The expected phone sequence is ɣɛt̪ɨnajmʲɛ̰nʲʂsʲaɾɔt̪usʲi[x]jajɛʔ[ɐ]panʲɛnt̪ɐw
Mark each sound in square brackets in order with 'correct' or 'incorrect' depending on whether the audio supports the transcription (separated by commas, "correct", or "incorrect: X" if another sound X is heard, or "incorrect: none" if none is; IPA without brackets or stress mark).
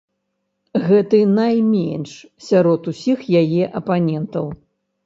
correct, correct